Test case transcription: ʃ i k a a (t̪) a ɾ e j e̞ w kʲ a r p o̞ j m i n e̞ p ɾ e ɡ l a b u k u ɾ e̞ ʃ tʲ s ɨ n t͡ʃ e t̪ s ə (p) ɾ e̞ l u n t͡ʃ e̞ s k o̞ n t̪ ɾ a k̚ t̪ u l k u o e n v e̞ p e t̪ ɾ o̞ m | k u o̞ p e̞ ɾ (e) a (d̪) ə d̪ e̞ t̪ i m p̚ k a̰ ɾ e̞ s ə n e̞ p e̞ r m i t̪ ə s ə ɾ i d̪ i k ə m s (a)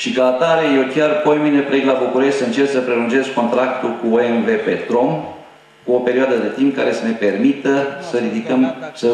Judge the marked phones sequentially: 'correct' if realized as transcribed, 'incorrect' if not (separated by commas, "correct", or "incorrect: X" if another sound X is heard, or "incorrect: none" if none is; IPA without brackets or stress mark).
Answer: correct, correct, incorrect: i, correct, incorrect: ə